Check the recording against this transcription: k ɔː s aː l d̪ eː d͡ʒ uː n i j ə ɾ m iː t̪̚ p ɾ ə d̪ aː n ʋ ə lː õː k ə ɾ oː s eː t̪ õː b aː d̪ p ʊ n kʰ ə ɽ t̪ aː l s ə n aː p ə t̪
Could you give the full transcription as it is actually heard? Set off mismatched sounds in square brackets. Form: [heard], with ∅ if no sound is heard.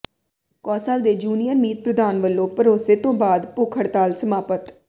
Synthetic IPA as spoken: k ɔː s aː l d̪ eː d͡ʒ uː n i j ə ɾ m iː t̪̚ p ɾ ə d̪ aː n ʋ ə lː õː [p] ə ɾ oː s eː t̪ õː b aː d̪ p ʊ [∅] kʰ ə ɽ t̪ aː l s ə [m] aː p ə t̪